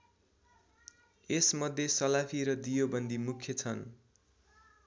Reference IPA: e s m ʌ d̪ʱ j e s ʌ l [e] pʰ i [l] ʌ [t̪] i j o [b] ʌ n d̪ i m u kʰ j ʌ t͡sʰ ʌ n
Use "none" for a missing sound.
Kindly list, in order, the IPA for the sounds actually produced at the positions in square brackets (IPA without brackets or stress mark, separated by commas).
a, ɾ, d̪, b